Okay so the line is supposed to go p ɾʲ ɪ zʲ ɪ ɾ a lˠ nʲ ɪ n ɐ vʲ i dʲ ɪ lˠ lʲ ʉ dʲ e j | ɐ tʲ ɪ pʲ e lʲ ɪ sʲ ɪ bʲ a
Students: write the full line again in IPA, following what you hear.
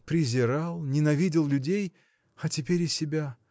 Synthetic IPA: p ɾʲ ɪ zʲ ɪ ɾ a lˠ nʲ ɪ n ɐ vʲ i dʲ ɪ lˠ lʲ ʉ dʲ e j | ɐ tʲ ɪ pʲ e ɾʲ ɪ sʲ ɪ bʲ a